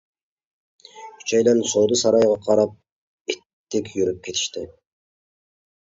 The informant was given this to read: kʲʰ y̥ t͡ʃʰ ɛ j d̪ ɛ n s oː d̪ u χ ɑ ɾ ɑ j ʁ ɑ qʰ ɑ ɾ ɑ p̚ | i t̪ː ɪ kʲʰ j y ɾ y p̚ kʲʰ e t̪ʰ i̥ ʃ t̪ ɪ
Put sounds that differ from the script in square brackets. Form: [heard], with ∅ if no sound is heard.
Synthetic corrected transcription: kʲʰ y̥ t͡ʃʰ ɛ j d̪ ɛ n s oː d̪ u [s] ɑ ɾ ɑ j ʁ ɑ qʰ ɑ ɾ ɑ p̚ | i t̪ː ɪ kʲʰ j y ɾ y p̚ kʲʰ e t̪ʰ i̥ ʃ t̪ ɪ